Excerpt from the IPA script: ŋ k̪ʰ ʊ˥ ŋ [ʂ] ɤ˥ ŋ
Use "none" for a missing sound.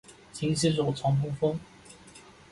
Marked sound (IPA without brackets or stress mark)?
f